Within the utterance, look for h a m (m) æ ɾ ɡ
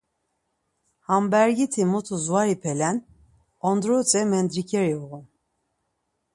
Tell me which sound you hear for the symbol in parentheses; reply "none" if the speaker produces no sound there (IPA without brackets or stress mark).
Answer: b